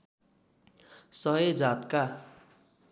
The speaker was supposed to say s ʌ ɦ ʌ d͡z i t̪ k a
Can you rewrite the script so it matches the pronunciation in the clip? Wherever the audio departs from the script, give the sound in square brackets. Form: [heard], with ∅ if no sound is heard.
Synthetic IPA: s ʌ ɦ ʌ d͡z [a] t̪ k a